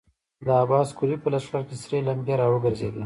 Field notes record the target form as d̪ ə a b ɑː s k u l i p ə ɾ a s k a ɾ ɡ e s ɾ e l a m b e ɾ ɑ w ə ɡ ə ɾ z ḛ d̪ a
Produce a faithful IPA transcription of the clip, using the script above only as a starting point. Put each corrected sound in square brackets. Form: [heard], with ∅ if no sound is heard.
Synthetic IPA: d̪ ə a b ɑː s k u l i p ə [l] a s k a ɾ [k] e s ɾ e l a m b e ɾ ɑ w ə ɡ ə ɾ z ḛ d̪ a